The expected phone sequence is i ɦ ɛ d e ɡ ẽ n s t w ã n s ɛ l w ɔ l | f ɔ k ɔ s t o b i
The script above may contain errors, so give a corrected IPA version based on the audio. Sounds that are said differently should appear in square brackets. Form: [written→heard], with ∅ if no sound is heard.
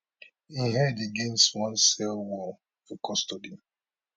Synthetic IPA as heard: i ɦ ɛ d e ɡ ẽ n s t w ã n s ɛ l w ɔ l | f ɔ k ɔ s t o [b→d] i

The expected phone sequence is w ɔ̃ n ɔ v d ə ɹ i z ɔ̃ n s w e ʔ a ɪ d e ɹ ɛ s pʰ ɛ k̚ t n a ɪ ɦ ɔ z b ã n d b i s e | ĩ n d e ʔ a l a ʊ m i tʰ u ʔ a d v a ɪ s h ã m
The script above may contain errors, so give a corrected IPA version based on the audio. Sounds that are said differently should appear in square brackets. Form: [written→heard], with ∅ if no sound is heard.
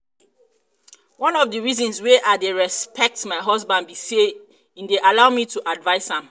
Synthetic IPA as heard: w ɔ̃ n ɔ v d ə ɹ i z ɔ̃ n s w e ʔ a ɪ d e ɹ ɛ s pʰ ɛ k̚ t [n→m] a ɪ ɦ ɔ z b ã n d b i s e | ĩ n d e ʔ a l a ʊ m i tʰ u ʔ a d v a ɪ s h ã m

